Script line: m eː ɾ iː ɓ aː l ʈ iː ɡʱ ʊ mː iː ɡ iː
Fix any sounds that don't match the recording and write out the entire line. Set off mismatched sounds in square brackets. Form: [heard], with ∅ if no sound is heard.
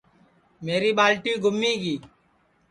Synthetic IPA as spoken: m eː ɾ iː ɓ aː l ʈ iː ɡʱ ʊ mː iː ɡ iː